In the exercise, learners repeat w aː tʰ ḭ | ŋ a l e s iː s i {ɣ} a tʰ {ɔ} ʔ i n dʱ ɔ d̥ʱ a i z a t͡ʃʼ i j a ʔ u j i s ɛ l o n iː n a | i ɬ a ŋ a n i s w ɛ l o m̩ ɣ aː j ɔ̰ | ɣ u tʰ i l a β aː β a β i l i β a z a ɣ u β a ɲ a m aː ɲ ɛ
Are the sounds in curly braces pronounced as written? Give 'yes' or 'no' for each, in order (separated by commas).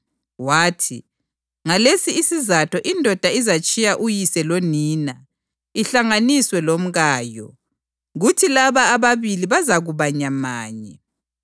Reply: no, yes